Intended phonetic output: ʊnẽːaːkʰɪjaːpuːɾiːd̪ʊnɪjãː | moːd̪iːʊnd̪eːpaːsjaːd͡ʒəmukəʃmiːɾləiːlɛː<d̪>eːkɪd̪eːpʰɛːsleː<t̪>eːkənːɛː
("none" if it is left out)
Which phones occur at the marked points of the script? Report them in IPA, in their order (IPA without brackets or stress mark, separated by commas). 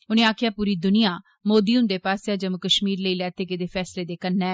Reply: t̪, d̪